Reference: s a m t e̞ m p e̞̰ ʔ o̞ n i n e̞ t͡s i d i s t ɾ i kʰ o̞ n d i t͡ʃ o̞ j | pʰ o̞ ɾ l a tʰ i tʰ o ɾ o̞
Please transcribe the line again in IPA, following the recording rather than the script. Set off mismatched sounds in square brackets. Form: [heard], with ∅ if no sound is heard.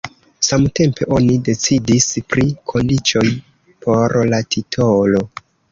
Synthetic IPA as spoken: s a m t e̞ m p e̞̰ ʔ o̞ n i [d] e̞ t͡s i d i s [p] ɾ i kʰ o̞ n d i t͡ʃ o̞ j | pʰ o̞ ɾ l a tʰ i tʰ o [l] o̞